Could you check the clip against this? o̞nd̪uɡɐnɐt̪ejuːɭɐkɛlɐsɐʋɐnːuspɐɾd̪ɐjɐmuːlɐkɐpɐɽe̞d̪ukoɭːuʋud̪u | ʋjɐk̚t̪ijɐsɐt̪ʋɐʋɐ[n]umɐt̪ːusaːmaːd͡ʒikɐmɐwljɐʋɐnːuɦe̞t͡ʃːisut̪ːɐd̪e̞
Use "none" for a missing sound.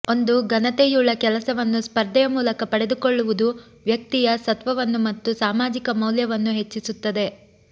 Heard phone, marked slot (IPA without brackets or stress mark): nː